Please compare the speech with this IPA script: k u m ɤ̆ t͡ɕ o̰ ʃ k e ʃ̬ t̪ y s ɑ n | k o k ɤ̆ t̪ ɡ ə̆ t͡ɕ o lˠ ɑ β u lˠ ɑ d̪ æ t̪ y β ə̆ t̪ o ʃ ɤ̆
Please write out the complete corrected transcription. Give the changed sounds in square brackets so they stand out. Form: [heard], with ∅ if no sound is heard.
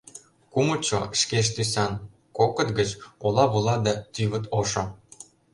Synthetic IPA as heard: k u m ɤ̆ t͡ɕ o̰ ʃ k e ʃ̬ t̪ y s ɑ n | k o k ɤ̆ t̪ ɡ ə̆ t͡ɕ o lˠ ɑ β u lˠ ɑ d̪ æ t̪ y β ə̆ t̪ o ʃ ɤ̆